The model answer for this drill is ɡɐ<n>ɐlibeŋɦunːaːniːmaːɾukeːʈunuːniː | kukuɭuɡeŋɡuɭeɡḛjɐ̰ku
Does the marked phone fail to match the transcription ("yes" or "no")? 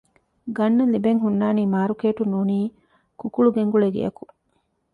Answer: yes